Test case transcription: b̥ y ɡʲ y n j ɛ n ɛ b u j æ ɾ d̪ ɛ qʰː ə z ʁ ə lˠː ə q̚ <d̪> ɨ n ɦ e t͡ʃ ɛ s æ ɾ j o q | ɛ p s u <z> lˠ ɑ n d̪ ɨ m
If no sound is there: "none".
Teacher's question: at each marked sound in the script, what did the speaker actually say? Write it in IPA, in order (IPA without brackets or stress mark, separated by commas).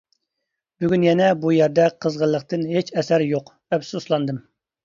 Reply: t̪, s